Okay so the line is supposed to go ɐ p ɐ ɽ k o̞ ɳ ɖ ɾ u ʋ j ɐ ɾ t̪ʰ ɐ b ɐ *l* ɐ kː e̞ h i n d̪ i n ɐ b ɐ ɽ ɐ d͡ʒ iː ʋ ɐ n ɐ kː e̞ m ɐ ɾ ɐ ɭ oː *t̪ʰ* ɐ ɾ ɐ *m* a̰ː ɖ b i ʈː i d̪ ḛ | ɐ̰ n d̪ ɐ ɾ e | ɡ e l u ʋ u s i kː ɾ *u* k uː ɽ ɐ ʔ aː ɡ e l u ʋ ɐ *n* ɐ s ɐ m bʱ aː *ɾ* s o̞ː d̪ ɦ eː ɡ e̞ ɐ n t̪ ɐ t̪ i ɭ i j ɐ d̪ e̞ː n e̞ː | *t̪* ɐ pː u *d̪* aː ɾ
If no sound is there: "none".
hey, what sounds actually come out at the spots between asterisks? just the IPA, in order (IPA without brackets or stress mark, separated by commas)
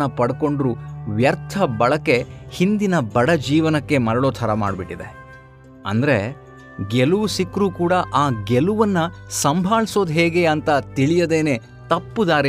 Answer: ɭ, t̪ʰ, m, uː, nː, ɭ, t̪, d̪